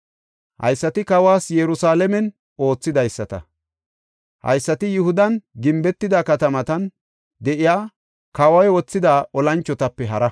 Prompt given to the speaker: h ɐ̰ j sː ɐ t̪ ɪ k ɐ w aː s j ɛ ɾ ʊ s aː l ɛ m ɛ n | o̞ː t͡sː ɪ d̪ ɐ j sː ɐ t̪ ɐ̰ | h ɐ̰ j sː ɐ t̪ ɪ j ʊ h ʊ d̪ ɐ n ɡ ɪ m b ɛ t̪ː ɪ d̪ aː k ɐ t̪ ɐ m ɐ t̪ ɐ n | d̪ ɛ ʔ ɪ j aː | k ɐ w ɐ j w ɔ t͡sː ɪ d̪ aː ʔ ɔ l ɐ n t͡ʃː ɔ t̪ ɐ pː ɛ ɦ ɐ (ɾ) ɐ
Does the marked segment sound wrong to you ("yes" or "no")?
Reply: no